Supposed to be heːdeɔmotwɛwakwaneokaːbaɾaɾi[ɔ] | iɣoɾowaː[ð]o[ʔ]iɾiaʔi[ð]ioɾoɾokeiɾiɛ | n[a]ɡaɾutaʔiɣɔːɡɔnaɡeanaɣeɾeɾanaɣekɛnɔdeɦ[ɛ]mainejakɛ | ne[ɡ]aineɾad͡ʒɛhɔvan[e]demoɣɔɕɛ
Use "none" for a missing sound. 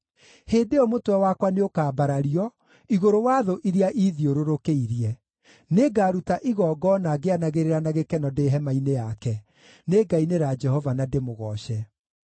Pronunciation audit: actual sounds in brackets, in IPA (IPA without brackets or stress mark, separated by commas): ɔ, ð, ʔ, ð, e, ɛ, ɡ, a